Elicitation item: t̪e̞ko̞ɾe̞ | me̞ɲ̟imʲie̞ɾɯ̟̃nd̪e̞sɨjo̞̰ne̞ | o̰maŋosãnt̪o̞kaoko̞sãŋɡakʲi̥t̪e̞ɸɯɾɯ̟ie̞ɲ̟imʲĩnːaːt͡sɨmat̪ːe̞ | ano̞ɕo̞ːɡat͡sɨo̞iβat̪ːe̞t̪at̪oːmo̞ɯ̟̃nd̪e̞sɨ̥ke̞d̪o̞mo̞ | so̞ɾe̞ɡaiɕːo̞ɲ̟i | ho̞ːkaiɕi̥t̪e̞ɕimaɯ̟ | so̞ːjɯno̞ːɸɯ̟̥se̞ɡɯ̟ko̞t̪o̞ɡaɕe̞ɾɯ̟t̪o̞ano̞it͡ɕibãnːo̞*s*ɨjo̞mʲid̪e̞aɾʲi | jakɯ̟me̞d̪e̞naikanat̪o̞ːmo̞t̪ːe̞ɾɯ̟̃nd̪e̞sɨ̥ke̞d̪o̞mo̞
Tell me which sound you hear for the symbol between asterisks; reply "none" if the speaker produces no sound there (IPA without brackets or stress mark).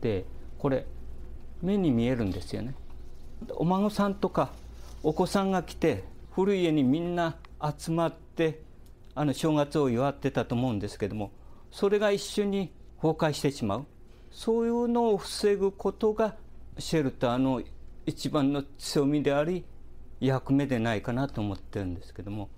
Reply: t͡s